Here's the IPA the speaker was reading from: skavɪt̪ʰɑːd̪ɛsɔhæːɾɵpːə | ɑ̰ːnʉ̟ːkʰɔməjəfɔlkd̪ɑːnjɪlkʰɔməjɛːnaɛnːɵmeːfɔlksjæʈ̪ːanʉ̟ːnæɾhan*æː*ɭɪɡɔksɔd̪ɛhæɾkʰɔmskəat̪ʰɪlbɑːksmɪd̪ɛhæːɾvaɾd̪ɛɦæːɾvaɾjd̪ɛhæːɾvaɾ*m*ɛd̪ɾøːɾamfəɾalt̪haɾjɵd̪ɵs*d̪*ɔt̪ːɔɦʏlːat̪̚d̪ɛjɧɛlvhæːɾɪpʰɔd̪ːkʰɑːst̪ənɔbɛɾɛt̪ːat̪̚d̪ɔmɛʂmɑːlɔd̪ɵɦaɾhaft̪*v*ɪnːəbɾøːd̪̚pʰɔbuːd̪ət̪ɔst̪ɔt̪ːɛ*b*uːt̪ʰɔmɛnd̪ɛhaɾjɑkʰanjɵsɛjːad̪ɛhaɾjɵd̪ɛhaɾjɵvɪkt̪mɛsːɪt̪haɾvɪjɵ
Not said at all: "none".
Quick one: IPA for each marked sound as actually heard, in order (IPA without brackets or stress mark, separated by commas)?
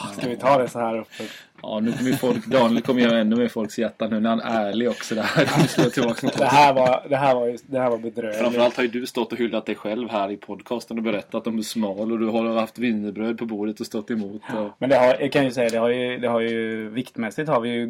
æː, b, t̪, v, m